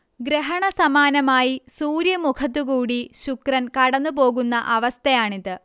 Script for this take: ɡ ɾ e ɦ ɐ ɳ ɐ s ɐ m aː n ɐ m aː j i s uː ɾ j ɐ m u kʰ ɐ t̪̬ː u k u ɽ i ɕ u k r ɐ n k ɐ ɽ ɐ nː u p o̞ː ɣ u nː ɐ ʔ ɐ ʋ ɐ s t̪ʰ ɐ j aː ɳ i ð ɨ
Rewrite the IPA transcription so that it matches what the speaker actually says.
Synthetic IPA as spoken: ɡ ɾ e ɦ ɐ ɳ ɐ s ɐ m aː n ɐ m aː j i s uː ɾ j ɐ m u kʰ ɐ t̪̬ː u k uː ɽ i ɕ u k r ɐ n k ɐ ɽ ɐ nː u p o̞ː ɣ u nː ɐ ʔ ɐ ʋ ɐ s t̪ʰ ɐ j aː ɳ i ð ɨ